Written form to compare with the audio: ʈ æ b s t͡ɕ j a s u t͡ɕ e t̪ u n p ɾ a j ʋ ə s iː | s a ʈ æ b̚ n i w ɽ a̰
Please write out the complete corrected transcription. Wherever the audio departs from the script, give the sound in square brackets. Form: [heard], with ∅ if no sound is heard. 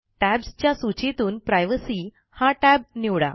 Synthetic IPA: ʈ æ b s t͡ɕ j a s u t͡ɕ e t̪ [uː] n p ɾ a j ʋ ə s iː | [h] a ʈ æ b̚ n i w ɽ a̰